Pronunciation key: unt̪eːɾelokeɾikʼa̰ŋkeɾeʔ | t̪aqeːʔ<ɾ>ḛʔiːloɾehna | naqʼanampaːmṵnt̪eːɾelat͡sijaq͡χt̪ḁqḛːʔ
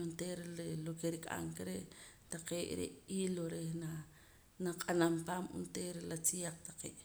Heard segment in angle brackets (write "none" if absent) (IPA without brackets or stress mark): ɾ